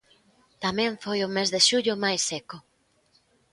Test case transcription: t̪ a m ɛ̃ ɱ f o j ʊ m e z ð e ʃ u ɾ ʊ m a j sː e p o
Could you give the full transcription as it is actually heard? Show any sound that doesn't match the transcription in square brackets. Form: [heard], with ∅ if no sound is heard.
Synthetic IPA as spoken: t̪ a m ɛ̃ ɱ f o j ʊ m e z ð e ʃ u [ʎ] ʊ m a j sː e [k] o